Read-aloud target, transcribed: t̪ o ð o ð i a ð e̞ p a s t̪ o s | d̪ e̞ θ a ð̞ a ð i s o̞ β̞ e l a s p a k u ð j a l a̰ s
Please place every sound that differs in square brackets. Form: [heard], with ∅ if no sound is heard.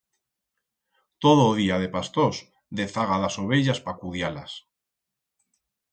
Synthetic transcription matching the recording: t̪ o ð o ð i a ð e̞ p a s t̪ o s | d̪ e̞ θ a [ɣ̞] a ð [a] s o̞ β̞ e [ʎ] a s p a k u ð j a l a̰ s